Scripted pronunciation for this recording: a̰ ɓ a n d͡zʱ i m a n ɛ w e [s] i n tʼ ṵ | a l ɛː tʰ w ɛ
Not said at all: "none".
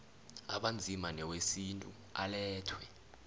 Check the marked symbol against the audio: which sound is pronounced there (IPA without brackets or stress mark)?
s